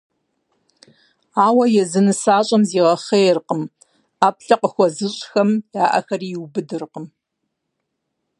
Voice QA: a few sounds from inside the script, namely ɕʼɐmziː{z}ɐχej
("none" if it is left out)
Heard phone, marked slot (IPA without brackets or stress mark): ʁ